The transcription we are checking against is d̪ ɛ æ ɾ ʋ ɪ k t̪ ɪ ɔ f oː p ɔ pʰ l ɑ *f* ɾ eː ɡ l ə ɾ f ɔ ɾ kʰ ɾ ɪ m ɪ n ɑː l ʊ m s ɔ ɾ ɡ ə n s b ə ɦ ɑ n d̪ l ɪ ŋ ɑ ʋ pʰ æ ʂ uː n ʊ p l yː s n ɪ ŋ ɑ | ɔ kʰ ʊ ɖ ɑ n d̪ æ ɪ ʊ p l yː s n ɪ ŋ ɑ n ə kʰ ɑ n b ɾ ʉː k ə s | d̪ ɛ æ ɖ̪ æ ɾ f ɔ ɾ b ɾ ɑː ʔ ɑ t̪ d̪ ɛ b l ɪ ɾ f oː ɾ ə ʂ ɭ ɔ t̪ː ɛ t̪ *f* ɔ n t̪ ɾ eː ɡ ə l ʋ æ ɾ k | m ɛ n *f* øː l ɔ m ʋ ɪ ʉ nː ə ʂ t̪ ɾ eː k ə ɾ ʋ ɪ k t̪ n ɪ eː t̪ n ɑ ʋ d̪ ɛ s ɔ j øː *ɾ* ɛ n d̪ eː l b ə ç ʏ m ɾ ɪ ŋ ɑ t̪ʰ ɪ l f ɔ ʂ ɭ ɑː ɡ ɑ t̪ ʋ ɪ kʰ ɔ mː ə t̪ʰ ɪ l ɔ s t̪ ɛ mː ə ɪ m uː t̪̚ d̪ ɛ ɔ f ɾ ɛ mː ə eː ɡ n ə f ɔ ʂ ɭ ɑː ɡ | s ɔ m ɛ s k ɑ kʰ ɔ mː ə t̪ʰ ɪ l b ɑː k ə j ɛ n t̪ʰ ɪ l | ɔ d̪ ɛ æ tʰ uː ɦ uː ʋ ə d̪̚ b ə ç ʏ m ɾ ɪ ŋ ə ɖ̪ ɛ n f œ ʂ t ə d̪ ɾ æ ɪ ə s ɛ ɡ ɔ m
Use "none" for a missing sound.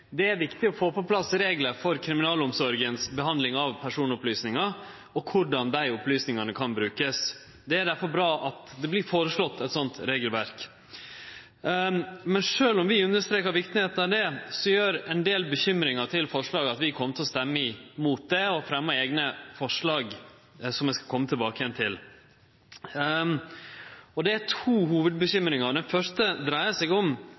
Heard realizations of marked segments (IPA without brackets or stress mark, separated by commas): s, s, ʂ, ɾ